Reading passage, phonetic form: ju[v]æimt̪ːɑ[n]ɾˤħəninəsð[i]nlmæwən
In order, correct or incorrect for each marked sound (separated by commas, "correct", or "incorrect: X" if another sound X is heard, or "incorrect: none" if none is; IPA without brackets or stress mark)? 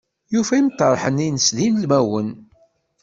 incorrect: f, incorrect: none, correct